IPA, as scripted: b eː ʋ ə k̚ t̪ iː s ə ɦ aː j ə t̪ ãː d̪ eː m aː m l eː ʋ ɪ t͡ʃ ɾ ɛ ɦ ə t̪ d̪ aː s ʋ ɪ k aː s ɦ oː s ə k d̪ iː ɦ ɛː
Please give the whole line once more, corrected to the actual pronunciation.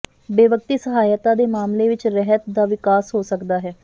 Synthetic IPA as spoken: b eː ʋ ə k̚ t̪ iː s ə ɦ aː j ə t̪ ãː d̪ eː m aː m l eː ʋ ɪ t͡ʃ ɾ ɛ ɦ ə t̪ d̪ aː ʋ ɪ k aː s ɦ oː s ə k d̪ aː ɦ ɛː